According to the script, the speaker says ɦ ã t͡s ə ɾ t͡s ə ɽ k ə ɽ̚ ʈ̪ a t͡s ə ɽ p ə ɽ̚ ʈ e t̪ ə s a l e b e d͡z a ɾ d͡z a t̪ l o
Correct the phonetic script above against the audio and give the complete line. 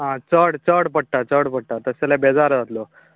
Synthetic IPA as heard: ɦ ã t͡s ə ɽ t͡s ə ɽ p ə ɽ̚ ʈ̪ a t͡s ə ɽ p ə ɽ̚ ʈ a t̪ ə s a l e b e d͡z a ɾ d͡z a t̪ l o